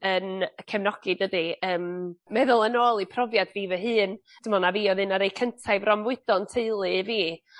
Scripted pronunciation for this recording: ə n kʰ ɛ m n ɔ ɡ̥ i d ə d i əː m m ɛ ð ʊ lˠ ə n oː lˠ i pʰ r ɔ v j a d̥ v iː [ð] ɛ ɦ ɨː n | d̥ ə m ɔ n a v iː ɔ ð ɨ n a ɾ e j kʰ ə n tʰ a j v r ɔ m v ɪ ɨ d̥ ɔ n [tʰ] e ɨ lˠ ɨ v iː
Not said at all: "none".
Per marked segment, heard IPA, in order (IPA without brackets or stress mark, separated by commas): v, tʰ